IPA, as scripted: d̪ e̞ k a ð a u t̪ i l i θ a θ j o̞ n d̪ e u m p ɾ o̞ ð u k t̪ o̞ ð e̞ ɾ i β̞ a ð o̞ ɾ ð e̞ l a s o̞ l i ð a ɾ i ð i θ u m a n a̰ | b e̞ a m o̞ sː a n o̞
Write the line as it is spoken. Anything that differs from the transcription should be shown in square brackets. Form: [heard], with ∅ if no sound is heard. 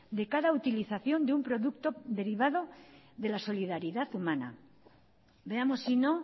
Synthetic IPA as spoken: d̪ e̞ k a ð a u t̪ i l i θ a θ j o̞ n d̪ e u m p ɾ o̞ ð u k t̪ o̞ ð e̞ ɾ i β̞ a ð o̞ [∅] ð e̞ l a s o̞ l i ð a ɾ i ð [a] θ u m a n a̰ | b e̞ a m o̞ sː [i] n o̞

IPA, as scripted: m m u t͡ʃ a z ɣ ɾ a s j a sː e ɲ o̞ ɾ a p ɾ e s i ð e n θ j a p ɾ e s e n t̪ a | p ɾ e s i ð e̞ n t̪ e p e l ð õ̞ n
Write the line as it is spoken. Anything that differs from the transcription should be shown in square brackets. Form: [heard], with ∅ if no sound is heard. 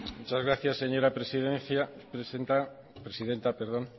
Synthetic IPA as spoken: m m u t͡ʃ a z ɣ ɾ a [θ] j a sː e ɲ o̞ ɾ a p ɾ e s i ð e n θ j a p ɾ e s e n t̪ a | p ɾ e s i ð e̞ n t̪ [a] p e [ɾ] ð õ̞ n

